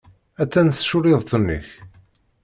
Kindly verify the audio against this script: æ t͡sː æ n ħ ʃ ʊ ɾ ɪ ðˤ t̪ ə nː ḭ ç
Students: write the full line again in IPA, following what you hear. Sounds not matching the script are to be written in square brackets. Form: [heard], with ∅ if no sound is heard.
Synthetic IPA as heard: æ t͡sː æ n [θ] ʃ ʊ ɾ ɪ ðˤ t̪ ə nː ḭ ç